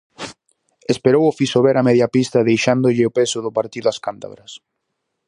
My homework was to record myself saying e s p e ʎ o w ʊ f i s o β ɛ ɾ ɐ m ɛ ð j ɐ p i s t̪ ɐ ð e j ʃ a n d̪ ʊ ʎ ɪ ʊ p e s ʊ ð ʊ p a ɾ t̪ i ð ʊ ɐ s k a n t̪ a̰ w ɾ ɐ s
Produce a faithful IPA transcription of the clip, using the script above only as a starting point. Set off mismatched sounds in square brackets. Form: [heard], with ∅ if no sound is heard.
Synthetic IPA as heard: e s p e [ɾ] o w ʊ f i s o β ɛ ɾ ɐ m ɛ ð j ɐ p i s t̪ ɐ ð e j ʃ a n d̪ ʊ ʎ ɪ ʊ p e s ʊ ð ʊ p a ɾ t̪ i ð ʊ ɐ s k a n t̪ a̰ [β] ɾ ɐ s